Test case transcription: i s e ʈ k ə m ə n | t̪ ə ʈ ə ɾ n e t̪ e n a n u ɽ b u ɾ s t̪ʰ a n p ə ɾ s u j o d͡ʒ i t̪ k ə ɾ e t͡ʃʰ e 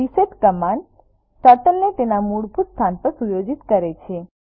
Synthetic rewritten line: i s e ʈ k ə m a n | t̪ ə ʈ ə l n e t̪ e n a m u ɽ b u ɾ s t̪ʰ a n p ə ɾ s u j o d͡ʒ i t̪ k ə ɾ e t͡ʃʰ e